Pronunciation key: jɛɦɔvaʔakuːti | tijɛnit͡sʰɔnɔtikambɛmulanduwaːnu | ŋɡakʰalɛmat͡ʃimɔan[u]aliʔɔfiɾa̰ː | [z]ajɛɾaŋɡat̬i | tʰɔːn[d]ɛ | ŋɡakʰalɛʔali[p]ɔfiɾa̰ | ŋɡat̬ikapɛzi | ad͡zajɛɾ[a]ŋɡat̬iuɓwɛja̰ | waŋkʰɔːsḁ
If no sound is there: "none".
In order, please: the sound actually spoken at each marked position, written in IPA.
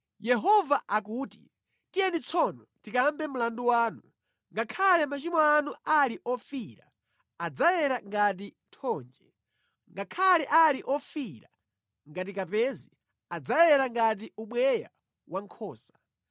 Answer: u, d͡z, d͡ʒ, ʔ, a

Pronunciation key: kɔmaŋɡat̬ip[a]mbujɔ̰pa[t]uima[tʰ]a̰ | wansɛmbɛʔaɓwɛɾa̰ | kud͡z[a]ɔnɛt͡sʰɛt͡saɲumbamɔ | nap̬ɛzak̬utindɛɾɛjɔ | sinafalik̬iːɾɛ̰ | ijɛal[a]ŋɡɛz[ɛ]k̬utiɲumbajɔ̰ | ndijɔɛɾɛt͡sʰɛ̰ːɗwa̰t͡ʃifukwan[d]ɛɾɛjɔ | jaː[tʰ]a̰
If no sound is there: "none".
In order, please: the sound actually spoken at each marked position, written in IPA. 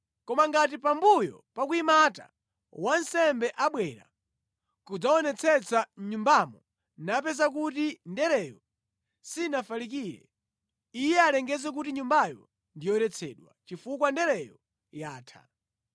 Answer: a, k, t, a, ɛ, ɛ, d, tʰ

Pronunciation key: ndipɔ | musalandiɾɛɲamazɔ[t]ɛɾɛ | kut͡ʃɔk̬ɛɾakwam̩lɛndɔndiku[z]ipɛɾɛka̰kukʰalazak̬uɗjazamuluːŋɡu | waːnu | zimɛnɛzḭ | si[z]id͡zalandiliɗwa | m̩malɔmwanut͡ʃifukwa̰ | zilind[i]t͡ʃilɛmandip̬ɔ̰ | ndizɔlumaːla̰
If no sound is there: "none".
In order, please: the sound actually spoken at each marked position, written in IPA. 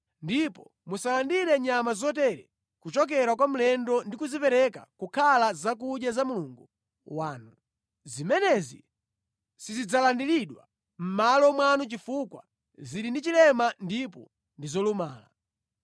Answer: t, z, z, i

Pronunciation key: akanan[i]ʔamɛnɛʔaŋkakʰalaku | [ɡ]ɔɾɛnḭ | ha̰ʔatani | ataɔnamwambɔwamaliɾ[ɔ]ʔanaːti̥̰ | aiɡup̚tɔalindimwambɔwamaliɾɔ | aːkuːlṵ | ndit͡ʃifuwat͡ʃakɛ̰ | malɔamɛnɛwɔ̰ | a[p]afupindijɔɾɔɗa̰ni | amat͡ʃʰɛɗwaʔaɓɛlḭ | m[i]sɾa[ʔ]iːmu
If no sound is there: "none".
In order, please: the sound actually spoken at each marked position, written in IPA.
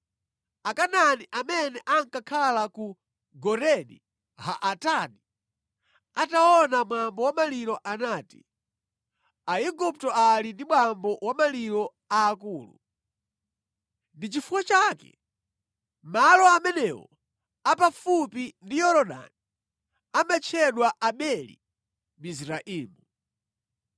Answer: i, ɡ, ɔ, p, i, ʔ

